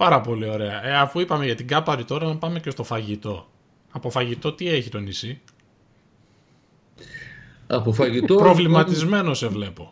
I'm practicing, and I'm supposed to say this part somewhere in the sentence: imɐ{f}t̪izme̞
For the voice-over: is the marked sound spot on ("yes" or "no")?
no